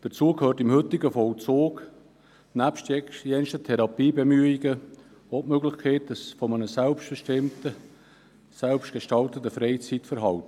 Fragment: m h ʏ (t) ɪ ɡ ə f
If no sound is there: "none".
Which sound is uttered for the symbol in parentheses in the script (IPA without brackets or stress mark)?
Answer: t